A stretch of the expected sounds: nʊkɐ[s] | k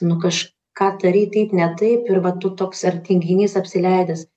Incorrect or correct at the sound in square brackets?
incorrect: ʃ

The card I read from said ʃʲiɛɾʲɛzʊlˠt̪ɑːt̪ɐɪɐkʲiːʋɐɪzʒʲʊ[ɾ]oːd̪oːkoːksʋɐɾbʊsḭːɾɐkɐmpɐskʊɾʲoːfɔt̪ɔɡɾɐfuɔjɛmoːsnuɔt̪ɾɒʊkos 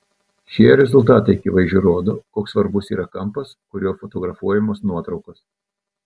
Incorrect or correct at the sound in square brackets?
correct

